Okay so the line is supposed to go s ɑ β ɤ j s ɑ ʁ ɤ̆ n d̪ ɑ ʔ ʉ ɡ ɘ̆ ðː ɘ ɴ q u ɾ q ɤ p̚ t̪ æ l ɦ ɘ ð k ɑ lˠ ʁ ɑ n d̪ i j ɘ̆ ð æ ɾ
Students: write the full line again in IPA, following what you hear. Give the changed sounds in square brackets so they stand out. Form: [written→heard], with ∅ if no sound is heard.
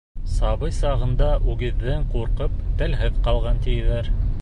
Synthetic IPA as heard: s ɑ β ɤ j s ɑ ʁ ɤ̆ n d̪ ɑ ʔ ʉ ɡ ɘ̆ ðː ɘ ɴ q u ɾ q ɤ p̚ t̪ æ l ɦ ɘ ð [k→q] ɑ lˠ ʁ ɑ n [d̪→t̪] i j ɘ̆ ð æ ɾ